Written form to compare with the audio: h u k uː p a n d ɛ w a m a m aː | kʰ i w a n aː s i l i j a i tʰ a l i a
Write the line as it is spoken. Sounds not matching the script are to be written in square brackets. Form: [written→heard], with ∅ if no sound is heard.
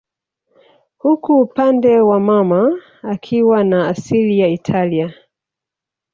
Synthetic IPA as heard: h u k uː p a n d ɛ w a m a m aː | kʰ i w a n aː s i l i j a i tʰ a l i a